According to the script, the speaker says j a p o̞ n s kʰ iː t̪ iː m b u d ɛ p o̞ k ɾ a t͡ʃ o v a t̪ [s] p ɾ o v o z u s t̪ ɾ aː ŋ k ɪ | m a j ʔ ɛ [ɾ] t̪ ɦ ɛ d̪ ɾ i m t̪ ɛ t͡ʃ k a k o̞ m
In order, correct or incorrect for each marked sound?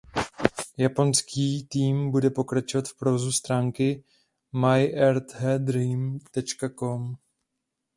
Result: incorrect: f, correct

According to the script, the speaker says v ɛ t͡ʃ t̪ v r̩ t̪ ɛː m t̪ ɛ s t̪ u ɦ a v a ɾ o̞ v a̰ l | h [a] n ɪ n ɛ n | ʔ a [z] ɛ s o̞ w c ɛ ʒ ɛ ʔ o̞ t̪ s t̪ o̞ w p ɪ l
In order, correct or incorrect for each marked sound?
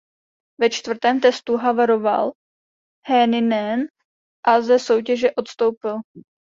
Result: incorrect: ɛ, correct

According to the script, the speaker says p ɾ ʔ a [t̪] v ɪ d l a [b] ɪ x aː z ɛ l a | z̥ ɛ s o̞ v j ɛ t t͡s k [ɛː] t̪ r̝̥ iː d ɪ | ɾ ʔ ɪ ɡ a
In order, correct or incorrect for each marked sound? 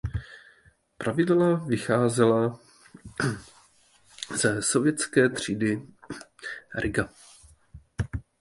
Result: incorrect: none, incorrect: v, correct

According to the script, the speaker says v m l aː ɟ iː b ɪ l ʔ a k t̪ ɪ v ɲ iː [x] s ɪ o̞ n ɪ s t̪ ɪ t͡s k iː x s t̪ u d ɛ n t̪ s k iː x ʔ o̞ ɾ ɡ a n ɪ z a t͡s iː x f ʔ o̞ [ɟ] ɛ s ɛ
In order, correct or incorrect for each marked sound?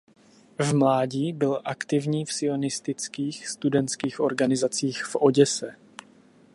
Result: incorrect: f, correct

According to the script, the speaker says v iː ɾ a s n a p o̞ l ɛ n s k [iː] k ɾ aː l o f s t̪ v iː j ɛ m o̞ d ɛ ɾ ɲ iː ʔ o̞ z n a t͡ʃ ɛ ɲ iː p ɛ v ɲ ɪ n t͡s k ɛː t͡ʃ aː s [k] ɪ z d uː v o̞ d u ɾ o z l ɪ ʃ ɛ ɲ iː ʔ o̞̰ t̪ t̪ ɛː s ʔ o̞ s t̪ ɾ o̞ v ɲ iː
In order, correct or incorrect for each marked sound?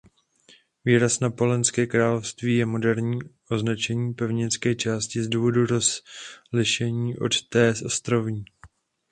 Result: incorrect: ɛː, incorrect: c

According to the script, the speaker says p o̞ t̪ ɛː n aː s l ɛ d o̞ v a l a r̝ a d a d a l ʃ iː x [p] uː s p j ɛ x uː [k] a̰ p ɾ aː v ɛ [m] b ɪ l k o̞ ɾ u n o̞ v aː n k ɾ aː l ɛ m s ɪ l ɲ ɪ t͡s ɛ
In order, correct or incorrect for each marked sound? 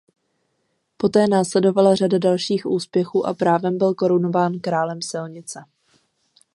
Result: incorrect: ʔ, incorrect: ʔ, correct

